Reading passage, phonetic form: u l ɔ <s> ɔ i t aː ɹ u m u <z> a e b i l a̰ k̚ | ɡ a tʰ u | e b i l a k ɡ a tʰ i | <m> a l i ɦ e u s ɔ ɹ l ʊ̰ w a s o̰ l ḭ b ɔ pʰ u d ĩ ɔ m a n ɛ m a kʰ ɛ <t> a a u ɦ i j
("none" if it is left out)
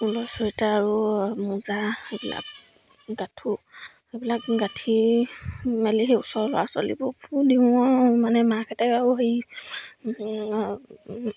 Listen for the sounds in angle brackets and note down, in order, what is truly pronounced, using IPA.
s, z, m, t

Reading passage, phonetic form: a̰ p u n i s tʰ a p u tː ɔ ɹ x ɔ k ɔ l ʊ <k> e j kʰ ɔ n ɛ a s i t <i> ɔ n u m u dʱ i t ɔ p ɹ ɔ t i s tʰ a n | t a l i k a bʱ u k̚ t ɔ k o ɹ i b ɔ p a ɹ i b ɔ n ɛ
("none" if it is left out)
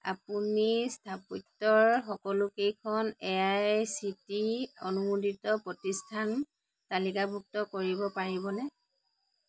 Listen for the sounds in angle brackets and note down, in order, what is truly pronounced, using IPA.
k, i

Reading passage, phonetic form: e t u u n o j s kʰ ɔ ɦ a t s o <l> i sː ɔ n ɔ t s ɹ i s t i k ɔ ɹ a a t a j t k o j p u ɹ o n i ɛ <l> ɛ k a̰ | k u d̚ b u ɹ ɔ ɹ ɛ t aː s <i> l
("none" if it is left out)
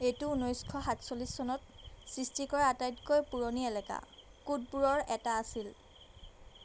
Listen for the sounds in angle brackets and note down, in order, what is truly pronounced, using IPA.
l, l, i

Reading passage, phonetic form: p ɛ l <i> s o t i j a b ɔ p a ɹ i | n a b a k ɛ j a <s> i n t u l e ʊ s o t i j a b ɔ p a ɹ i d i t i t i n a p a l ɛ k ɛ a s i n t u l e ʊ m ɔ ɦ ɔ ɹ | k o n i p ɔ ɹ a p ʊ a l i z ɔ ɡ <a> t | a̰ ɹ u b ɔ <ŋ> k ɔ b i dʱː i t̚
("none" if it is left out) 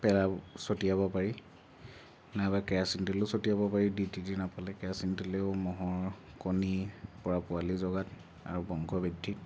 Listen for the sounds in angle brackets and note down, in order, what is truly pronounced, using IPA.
a, s, a, ŋ

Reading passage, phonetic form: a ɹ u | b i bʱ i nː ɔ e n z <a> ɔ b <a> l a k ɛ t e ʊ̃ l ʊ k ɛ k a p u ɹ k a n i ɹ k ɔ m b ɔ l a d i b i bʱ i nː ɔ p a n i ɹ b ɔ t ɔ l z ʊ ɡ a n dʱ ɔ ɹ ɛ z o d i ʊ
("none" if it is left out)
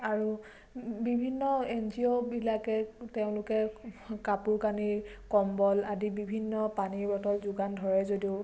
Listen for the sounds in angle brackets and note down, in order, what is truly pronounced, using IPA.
i, i

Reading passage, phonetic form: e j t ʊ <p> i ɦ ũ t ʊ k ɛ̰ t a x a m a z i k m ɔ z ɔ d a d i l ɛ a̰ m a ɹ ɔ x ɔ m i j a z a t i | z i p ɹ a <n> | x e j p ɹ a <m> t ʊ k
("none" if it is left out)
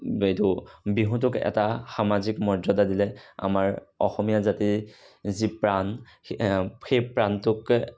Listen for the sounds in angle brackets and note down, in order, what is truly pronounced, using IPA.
b, n, n

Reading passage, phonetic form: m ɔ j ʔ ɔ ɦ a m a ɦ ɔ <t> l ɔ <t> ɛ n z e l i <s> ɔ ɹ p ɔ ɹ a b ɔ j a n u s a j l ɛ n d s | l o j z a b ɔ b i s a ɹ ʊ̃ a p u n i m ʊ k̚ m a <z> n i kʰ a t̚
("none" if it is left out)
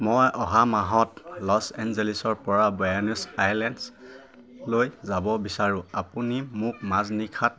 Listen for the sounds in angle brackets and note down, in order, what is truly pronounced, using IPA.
t, s, s, z

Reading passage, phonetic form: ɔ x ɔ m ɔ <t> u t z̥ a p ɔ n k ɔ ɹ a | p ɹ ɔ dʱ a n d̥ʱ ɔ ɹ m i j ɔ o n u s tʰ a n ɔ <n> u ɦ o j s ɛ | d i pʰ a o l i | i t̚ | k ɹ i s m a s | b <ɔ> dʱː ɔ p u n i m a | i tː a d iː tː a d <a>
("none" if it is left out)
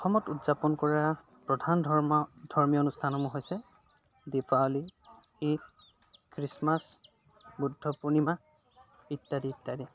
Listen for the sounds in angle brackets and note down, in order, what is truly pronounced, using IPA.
t, m, u, i

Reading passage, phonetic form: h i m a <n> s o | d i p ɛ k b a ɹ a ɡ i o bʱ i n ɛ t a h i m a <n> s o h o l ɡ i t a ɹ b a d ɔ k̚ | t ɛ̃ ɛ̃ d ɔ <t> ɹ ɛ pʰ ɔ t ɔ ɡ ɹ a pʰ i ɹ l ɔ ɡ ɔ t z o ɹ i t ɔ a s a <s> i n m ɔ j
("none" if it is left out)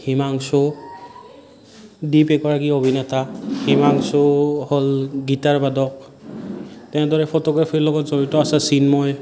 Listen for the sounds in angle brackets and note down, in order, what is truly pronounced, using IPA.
ŋ, ŋ, none, s

